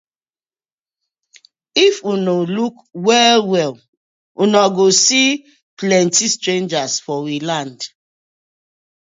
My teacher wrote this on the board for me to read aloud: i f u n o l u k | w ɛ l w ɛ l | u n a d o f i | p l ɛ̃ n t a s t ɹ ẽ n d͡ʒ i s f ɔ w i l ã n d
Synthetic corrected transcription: i f u n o l u k | w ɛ l w ɛ l | u n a ɡ o s i | p l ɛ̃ n t i s t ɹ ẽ n d͡ʒ a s f ɔ w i l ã n d